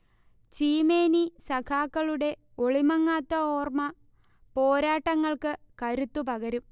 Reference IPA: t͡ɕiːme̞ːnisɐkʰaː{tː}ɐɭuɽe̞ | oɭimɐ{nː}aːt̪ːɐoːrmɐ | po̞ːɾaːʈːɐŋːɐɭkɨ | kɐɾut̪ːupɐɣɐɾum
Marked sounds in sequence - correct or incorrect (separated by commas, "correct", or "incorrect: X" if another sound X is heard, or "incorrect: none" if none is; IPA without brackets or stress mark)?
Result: incorrect: kː, incorrect: ŋː